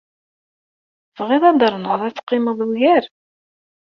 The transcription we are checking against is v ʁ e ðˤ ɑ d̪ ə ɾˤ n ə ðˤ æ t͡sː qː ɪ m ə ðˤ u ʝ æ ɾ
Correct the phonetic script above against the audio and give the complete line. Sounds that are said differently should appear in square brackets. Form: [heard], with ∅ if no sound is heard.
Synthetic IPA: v ʁ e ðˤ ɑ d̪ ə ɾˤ n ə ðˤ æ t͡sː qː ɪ m ə ðˤ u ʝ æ ɾ